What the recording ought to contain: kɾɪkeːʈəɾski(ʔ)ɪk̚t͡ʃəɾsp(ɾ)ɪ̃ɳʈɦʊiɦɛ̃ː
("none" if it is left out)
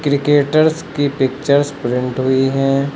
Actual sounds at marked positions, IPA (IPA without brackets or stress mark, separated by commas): p, ɾ